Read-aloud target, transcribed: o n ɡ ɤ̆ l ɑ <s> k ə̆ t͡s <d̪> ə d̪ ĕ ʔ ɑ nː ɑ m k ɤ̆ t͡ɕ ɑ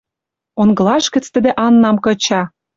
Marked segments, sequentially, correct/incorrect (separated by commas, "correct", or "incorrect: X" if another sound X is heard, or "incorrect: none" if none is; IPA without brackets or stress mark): incorrect: ʃ, incorrect: t̪